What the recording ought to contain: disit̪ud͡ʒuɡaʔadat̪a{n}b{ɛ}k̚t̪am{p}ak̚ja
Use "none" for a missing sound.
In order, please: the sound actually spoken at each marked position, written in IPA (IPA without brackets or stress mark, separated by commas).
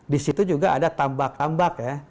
m, a, b